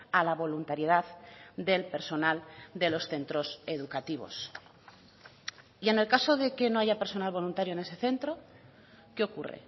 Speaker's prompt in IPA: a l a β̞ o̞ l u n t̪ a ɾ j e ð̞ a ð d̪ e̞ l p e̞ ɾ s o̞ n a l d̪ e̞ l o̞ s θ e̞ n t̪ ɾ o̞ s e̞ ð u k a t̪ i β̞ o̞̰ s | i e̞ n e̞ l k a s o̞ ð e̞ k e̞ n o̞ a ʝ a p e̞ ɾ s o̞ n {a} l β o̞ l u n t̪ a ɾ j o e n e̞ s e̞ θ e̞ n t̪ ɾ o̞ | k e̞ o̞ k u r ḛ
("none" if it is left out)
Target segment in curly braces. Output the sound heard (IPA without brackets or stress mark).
a